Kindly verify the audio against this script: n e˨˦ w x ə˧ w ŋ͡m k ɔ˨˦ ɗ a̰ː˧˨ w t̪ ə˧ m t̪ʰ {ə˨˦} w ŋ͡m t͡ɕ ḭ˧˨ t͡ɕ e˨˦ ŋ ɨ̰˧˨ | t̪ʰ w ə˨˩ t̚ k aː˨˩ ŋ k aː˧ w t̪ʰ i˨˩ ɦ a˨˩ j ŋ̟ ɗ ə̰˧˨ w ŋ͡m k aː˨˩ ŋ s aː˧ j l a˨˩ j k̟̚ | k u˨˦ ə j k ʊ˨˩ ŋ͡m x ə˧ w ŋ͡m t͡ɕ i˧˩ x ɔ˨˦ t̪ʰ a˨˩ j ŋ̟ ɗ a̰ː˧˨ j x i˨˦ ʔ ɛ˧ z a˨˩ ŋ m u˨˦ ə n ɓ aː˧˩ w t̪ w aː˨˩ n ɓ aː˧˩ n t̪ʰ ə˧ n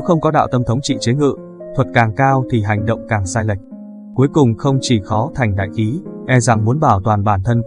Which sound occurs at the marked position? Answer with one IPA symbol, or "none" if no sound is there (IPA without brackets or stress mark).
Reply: ə˨˦